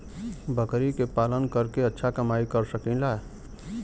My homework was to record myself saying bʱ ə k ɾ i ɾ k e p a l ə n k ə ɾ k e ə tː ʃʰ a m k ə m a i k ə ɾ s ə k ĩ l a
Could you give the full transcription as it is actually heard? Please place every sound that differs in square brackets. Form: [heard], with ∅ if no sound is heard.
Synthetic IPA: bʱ ə k ɾ i [∅] k e p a l ə n k ə ɾ k e ə tː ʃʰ a [∅] k ə m a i k ə ɾ s ə k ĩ l a